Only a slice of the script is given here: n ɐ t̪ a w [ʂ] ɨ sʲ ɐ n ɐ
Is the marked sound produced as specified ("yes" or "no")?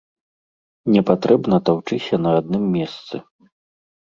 no